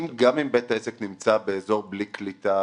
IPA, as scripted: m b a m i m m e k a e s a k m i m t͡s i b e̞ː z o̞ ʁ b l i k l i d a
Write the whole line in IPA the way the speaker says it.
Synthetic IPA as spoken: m ɡ a m i m b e t a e s e k n i m t͡s a b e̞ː z o̞ ʁ b l i k l i t a